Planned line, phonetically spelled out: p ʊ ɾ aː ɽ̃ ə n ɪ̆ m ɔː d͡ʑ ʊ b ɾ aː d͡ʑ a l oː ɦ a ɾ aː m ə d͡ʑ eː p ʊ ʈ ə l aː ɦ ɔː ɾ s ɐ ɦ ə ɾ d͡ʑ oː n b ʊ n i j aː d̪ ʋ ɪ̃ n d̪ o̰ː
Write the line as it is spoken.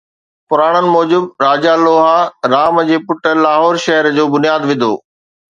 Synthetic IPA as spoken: p ʊ ɾ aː ɽ̃ ə n ɪ̆ m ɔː d͡ʑ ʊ b ɾ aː d͡ʑ a l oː ɦ a ɾ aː m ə d͡ʑ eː p ʊ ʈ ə l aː ɦ ɔː ɾ ʃ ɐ ɦ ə ɾ d͡ʑ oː b ʊ n i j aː d̪ ʋ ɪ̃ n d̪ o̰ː